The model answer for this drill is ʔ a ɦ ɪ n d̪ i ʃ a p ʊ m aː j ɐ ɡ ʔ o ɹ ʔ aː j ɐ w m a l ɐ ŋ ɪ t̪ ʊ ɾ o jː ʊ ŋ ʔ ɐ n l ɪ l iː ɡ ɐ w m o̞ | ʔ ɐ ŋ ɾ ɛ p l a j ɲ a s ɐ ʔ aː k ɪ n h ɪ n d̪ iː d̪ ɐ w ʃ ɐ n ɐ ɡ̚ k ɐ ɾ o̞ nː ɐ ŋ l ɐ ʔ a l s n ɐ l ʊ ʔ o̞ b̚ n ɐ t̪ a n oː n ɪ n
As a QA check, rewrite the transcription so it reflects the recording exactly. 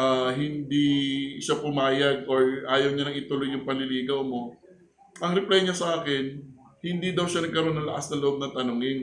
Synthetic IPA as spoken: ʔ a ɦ ɪ n d̪ i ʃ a p ʊ m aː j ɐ ɡ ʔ o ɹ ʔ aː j ɐ w ɲ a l ɐ ŋ ɪ t̪ ʊ l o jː ʊ ŋ p ɐ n l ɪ l iː ɡ ɐ w m o̞ | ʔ ɐ ŋ ɾ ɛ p l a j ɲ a s ɐ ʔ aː k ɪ n h ɪ n d̪ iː d̪ ɐ w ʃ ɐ n ɐ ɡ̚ k ɐ ɾ o̞ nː ɐ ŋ l ɐ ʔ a s n ɐ l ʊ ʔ o̞ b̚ n ɐ t̪ ɐ n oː ŋ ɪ n